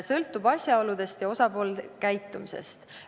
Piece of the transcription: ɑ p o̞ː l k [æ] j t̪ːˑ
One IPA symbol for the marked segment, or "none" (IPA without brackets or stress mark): æ